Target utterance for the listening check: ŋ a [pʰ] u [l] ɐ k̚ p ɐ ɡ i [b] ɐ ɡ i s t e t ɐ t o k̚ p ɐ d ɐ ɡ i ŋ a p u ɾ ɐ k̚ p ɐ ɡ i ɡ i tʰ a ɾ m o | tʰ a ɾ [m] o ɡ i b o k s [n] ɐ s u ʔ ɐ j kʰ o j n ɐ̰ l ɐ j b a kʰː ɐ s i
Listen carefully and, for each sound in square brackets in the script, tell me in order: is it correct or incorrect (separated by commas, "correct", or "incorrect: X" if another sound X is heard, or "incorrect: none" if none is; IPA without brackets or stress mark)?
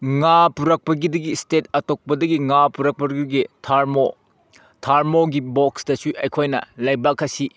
incorrect: p, incorrect: ɾ, incorrect: d, correct, incorrect: d